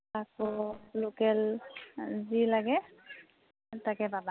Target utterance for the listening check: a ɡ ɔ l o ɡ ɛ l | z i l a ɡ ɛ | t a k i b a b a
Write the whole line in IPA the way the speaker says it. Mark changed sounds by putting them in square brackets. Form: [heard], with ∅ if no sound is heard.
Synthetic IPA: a [k] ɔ l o [k] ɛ l | z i l a ɡ ɛ | t a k [ɛ] b a b a